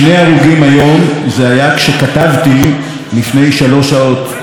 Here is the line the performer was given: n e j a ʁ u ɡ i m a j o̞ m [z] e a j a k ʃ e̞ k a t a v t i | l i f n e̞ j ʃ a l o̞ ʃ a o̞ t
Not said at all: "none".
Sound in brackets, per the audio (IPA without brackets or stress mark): z